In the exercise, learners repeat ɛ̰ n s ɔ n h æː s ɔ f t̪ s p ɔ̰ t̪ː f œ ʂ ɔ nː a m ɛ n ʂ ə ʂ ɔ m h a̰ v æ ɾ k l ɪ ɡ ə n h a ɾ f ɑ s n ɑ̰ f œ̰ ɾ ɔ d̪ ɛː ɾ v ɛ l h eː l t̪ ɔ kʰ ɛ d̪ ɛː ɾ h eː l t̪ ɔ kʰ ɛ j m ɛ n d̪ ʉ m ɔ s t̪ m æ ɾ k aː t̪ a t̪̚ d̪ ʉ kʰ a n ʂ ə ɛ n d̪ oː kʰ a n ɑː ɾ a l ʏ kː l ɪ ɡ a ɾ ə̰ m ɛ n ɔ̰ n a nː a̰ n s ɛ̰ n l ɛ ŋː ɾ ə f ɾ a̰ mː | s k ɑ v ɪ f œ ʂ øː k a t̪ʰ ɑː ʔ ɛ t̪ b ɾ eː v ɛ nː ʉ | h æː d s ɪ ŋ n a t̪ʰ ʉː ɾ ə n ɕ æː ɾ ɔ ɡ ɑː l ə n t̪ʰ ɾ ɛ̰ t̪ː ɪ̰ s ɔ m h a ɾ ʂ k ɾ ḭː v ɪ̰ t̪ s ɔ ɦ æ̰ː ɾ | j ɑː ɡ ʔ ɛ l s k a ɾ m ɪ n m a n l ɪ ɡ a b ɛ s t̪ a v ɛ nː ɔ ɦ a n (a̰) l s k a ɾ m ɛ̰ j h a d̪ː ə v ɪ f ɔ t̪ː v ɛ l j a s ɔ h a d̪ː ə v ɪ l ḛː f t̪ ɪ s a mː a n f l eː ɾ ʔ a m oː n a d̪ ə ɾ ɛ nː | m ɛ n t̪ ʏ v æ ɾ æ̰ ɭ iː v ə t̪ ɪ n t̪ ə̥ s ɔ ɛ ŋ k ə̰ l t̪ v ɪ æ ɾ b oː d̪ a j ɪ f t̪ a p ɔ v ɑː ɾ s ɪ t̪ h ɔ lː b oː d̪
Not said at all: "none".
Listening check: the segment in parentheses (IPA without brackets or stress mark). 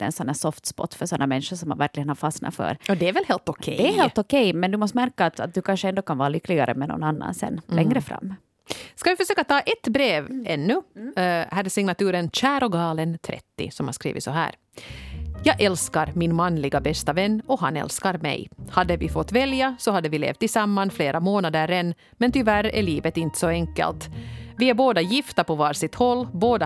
ɛ̰